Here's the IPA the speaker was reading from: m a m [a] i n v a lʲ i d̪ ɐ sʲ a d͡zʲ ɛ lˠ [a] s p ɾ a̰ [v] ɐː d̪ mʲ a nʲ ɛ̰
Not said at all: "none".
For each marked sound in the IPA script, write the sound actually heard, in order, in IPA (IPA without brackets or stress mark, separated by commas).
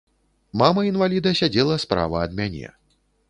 ɐ, ɐ, v